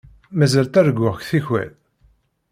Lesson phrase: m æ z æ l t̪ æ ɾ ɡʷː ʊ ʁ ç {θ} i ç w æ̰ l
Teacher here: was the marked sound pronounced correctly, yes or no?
yes